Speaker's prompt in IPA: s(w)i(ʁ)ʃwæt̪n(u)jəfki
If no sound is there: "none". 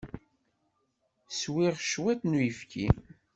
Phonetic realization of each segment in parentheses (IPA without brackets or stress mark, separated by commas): w, ʁ, u